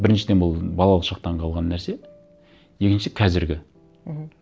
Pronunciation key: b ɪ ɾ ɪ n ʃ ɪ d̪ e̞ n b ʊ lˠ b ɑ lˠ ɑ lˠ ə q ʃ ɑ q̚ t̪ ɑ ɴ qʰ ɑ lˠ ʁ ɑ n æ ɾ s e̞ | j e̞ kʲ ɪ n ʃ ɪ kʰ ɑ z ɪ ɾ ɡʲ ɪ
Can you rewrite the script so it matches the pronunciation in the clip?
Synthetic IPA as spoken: b ɪ ɾ ɪ n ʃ ɪ d̪ e̞ n b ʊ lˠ b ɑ lˠ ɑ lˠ ə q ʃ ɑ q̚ t̪ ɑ ɴ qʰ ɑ lˠ ʁ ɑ nː æ ɾ s e̞ | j e̞ kʲ ɪ n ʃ ɪ kʰ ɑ z ɪ ɾ ɡʲ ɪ